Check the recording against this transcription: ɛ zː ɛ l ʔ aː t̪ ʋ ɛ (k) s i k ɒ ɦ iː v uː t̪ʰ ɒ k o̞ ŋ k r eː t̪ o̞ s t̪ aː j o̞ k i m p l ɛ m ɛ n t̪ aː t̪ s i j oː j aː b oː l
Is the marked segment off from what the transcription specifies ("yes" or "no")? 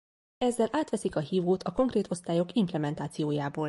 yes